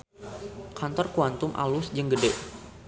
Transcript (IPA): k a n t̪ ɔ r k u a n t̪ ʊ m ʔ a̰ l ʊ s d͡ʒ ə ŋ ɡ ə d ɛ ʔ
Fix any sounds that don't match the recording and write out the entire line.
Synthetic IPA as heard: k a n t̪ ɔ r k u a n t̪ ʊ m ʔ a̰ l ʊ s d͡ʒ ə ŋ ɡ ə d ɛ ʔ